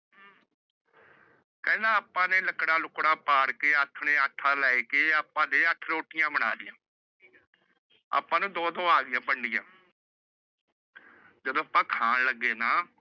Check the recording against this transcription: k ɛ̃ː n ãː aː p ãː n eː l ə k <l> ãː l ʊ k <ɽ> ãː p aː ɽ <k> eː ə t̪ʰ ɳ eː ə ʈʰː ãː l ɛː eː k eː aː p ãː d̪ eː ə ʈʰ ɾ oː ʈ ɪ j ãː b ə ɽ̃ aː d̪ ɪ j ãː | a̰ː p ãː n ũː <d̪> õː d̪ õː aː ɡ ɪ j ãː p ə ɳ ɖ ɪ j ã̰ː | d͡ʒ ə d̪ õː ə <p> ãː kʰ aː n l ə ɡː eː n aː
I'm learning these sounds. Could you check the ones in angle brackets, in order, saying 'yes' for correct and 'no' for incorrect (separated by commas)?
no, yes, yes, yes, yes